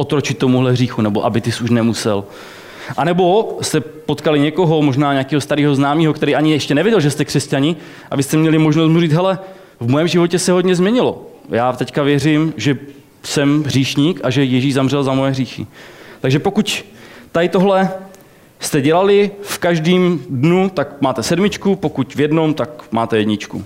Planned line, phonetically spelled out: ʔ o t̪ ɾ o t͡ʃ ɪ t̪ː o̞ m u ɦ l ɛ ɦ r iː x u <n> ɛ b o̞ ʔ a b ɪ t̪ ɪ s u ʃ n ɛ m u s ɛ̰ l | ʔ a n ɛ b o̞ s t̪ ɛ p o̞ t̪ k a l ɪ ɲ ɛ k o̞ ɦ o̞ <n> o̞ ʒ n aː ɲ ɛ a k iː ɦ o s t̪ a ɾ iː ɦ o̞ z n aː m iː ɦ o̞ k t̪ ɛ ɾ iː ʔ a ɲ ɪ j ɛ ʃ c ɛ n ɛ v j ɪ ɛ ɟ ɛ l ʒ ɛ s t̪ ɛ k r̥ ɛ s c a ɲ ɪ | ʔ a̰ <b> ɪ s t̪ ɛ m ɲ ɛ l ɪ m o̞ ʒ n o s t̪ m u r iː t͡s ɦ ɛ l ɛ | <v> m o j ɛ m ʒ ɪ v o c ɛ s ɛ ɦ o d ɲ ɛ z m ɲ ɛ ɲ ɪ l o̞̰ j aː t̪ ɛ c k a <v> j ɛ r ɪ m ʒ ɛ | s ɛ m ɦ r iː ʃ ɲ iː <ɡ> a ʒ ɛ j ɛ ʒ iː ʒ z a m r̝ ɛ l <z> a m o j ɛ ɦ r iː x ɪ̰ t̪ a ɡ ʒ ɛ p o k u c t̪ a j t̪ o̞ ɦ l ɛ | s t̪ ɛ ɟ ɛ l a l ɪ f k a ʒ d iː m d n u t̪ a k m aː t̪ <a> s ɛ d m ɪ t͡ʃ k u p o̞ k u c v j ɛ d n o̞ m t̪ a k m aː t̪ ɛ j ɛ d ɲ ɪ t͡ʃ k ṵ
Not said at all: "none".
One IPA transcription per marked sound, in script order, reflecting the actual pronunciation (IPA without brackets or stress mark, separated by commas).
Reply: n, m, v, v, v, k, z, ɛ